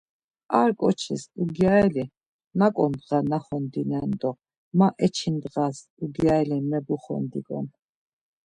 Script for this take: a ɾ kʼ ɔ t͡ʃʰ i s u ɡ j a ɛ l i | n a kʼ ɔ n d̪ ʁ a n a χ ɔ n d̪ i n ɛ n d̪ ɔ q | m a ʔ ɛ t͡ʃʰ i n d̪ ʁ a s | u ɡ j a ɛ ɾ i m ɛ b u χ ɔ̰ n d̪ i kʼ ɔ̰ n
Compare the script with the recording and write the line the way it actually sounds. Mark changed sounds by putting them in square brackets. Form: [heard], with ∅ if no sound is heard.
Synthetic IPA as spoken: a ɾ kʼ ɔ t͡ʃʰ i s u ɡ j a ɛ l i | n a kʼ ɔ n d̪ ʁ a n a χ ɔ n d̪ i n ɛ n d̪ ɔ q | m a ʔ ɛ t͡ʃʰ i n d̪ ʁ a s | u ɡ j a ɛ [l] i m ɛ b u χ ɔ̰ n d̪ i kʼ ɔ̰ n